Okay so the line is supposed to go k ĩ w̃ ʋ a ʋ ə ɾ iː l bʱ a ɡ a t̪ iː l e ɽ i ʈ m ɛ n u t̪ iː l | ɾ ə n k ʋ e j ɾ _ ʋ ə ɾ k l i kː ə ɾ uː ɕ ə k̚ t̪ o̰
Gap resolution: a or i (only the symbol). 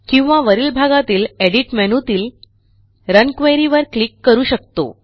i